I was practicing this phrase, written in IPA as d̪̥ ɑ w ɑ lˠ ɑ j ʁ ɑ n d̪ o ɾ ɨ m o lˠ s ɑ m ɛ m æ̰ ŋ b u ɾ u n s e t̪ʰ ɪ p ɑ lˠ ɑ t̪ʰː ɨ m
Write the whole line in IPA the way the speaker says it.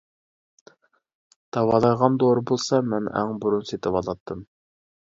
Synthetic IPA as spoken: d̪̥ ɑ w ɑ lˠ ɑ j ʁ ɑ n d̪ o ɾ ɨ b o lˠ s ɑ m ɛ n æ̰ ŋ b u ɾ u n s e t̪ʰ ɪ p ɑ lˠ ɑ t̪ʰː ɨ m

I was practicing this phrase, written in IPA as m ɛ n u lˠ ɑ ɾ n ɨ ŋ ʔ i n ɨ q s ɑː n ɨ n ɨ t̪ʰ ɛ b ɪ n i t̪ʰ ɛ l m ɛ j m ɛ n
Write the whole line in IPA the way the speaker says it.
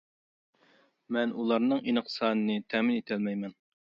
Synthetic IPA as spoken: m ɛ n u lˠ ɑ ɾ n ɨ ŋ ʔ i n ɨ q s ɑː n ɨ n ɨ t̪ʰ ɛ m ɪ n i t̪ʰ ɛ l m ɛ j m ɛ n

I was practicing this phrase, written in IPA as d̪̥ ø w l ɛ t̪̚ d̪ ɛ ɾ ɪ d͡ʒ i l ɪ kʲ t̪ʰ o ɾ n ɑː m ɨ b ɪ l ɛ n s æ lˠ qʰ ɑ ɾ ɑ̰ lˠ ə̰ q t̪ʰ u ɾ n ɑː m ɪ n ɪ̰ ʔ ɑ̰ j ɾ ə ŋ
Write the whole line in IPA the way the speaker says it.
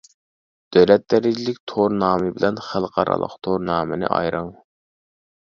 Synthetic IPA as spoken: d̪̥ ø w l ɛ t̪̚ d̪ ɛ ɾ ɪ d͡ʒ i l ɪ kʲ t̪ʰ o ɾ n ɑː m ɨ b ɪ l ɛ n χ æ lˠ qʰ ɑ ɾ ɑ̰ lˠ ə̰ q t̪ʰ o ɾ n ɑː m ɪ n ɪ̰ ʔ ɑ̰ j ɾ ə ŋ

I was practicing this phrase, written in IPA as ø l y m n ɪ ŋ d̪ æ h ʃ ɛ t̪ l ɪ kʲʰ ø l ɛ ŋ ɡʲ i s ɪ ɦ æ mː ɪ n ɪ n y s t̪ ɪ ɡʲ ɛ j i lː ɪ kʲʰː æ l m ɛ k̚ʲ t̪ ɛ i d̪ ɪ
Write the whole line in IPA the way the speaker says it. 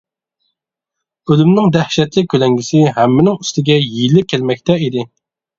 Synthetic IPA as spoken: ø l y m n ɪ ŋ d̪ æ h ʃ ɛ t̪ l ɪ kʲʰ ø l ɛ ŋ ɡʲ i s ɪ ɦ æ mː ɪ n ɪ ŋ y s t̪ ɪ ɡʲ ɛ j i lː ɪ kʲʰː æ l m ɛ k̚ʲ t̪ ɛ i d̪ ɪ

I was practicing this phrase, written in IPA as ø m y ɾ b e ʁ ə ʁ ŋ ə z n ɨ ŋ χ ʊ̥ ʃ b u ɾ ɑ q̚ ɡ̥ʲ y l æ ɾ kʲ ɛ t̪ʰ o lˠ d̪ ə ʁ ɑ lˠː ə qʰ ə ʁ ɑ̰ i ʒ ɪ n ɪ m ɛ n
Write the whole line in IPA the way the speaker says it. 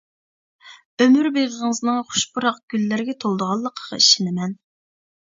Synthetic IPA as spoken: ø m y ɾ b e ʁ ə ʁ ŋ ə z n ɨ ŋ χ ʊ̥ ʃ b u ɾ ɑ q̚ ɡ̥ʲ y lː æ ɾ ɡʲ ɛ t̪ʰ o lˠ d̪ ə ʁ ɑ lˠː ə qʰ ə ʁ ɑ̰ i ʃ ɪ n ɪ m ɛ n

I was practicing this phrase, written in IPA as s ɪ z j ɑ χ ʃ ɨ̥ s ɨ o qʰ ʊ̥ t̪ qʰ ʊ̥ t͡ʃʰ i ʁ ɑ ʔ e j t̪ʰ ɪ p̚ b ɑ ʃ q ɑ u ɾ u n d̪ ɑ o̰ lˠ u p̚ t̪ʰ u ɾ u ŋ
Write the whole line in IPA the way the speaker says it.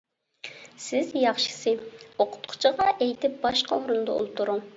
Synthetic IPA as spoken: s ɪ z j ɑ χ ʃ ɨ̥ s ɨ o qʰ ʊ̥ t̪ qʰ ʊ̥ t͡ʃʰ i ʁ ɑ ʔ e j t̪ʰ ɪ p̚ b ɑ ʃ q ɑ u ɾ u n d̪ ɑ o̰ lˠ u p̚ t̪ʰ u ɾ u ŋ

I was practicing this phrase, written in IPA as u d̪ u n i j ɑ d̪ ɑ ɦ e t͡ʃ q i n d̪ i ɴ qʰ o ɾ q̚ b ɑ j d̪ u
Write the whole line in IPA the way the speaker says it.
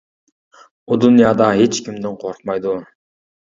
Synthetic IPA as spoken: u d̪ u n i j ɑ d̪ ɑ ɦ e t͡ʃ k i m d̪ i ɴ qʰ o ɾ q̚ m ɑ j d̪ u

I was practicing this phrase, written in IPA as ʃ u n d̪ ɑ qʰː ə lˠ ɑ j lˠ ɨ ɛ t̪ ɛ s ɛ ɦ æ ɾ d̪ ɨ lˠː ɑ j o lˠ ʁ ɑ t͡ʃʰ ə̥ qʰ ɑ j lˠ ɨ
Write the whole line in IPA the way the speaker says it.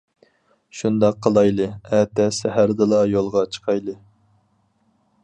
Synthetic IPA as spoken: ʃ u n d̪ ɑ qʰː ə lˠ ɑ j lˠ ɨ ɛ t̪ ɛ s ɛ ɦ æ ɾ d̪ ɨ lˠ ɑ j o lˠ ʁ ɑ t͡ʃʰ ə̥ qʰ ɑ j lˠ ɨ

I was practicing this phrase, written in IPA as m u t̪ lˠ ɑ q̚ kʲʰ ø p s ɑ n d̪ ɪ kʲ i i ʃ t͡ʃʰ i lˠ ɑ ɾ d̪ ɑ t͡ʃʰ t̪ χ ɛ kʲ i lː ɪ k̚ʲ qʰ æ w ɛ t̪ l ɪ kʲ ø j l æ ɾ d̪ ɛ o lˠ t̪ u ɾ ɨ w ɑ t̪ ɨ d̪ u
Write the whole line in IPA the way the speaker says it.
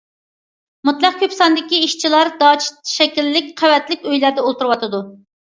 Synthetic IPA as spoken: m u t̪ lˠ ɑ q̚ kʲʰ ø p s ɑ n d̪ ɪ kʲ i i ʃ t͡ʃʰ i lˠ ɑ ɾ d̪ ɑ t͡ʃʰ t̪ ʃ ɛ kʲ i lː ɪ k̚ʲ qʰ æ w ɛ t̪ l ɪ kʲ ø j l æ ɾ d̪ ɛ o lˠ t̪ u ɾ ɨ w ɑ t̪ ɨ d̪ u

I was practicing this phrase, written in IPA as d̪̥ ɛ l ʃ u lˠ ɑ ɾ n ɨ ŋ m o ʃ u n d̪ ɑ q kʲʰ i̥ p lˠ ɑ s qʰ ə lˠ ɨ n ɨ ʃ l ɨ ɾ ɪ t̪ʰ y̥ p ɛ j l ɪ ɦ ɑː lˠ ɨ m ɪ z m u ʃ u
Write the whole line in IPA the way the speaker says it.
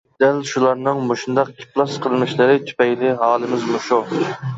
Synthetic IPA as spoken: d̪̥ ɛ l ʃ u lˠ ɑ ɾ n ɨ ŋ m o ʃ u n d̪ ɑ q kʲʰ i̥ p lˠ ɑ s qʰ ə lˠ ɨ n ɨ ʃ l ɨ ɾ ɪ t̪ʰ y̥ p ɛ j l ɪ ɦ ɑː lˠ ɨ m ɪ z m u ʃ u

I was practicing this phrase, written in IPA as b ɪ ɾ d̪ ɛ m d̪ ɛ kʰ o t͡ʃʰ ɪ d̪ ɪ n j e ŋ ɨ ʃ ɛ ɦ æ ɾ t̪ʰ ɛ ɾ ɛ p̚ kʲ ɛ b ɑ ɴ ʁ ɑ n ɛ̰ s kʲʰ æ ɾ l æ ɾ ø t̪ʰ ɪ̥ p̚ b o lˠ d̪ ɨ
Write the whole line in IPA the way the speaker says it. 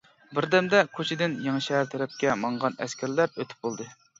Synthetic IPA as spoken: b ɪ ɾ d̪ ɛ m d̪ ɛ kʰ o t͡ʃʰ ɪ d̪ ɪ n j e ŋ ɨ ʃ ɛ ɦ æ ɾ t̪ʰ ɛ ɾ ɛ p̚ kʲ ɛ m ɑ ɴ ʁ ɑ n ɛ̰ s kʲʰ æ ɾ l æ ɾ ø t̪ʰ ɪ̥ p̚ b o lˠ d̪ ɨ

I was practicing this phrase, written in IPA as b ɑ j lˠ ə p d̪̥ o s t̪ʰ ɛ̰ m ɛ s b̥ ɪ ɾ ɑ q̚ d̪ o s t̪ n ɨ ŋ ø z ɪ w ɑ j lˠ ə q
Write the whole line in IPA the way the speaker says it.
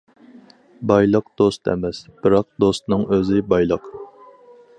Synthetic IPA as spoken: b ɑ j lˠ ə q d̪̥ o s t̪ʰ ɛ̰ m ɛ s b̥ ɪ ɾ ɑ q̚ d̪ o s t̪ n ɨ ŋ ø z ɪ b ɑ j lˠ ə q

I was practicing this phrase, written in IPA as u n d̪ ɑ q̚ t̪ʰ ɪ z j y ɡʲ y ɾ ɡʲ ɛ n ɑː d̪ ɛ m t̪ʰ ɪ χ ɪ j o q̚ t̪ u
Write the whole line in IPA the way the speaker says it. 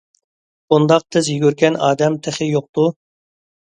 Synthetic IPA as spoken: u n d̪ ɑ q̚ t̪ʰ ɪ z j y ɡʲ y ɾ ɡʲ ɛ n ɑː d̪ ɛ m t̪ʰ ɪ χ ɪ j o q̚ t̪ u

